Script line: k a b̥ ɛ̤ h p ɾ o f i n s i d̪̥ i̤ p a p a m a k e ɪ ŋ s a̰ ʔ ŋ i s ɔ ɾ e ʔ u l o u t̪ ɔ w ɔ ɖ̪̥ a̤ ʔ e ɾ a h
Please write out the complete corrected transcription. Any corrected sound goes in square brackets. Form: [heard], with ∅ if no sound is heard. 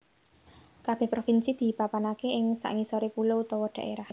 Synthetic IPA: k a b̥ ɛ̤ h p ɾ o f i n s i d̪̥ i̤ p a p a [n] a k e ɪ ŋ s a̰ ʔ ŋ i s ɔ ɾ e [p] u l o u t̪ ɔ w ɔ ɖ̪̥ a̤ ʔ e ɾ a h